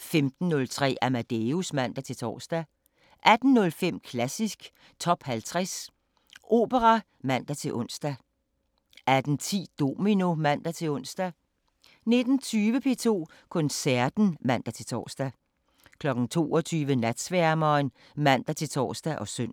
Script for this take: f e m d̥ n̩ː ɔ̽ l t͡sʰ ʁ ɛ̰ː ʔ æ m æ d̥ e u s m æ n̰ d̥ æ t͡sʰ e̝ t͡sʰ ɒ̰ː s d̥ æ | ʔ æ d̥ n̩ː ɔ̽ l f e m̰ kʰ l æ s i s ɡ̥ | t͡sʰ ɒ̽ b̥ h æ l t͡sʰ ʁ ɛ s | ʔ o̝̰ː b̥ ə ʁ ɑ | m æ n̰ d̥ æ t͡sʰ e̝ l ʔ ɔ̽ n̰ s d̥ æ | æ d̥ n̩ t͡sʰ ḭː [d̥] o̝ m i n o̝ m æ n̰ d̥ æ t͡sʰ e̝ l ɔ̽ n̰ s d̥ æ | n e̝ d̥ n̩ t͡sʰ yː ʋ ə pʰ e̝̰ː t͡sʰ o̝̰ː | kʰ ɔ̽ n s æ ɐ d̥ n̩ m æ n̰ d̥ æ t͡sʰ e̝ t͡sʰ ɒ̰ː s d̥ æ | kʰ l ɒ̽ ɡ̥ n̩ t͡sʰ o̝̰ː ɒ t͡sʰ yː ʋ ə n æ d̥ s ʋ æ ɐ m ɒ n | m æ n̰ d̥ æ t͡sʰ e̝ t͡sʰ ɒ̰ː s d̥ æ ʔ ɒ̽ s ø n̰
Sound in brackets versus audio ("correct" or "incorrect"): correct